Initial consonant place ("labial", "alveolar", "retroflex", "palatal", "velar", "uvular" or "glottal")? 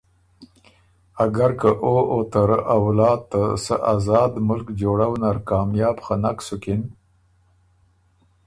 velar